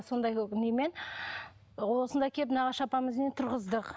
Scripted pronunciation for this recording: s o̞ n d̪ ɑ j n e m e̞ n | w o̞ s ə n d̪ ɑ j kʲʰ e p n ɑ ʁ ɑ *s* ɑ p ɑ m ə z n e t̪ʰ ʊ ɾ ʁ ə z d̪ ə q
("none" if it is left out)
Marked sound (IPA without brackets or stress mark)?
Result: ʃ